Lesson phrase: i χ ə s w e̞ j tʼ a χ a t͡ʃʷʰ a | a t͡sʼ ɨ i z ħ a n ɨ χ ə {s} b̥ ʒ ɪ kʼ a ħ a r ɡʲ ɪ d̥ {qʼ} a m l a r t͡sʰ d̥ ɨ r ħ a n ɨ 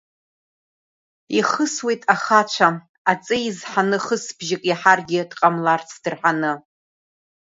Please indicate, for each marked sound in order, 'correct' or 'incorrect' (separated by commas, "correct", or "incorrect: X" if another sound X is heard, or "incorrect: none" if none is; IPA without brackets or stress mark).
correct, correct